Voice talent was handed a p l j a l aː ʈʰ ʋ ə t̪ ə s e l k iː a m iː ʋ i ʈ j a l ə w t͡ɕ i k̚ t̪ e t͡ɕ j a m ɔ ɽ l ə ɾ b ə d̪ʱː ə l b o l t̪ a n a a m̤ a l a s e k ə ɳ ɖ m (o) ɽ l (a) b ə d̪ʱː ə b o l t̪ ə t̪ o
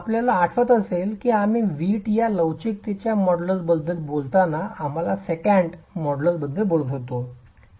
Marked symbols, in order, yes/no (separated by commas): no, no